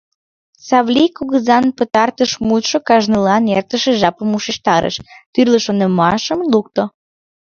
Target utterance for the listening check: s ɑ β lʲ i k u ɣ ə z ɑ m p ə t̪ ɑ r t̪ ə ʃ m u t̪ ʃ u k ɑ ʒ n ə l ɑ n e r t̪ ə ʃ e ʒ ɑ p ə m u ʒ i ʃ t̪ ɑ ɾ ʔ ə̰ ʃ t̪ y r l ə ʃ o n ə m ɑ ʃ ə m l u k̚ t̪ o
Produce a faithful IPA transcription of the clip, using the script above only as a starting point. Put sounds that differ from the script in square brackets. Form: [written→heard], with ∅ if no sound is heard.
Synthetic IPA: s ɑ β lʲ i k u ɣ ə z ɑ [m→n] p ə t̪ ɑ r t̪ ə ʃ m u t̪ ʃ [u→o] k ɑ ʒ n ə l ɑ n e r t̪ ə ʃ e ʒ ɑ p ə m u [ʒ→ʃ] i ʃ t̪ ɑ ɾ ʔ ə̰ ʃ t̪ y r l ə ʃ o n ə m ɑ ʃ ə m l u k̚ t̪ o